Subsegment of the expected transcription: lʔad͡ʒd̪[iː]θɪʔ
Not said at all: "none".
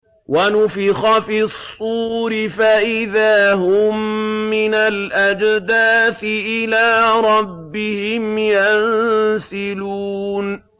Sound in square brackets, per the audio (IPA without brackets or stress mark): aː